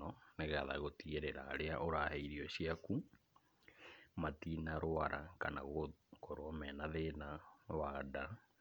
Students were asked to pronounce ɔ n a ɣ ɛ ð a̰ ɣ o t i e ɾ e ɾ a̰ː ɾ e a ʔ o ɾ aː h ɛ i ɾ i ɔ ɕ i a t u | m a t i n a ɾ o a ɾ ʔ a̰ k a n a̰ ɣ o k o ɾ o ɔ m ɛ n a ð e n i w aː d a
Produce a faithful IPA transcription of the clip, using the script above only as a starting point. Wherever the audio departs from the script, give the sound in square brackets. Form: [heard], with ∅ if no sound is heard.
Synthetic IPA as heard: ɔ n [e] ɣ [a] ð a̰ ɣ o t i e ɾ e ɾ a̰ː ɾ e a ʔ o ɾ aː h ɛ i ɾ i ɔ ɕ i a [k] u | m a t i n a ɾ o a ɾ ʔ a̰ k a n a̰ ɣ o k o ɾ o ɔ m ɛ n a ð e n [a] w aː d a